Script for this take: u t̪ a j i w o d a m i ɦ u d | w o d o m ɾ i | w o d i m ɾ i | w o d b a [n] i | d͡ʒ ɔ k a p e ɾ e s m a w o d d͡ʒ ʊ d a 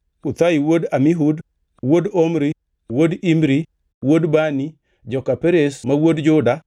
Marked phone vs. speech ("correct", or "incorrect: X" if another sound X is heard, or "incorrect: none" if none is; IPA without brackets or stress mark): correct